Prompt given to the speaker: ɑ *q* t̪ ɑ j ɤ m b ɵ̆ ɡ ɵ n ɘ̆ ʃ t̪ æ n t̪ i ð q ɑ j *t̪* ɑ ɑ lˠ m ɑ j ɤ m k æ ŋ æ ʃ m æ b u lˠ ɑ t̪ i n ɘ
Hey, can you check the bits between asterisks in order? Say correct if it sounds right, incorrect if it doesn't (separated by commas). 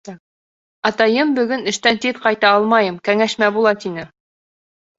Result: incorrect, correct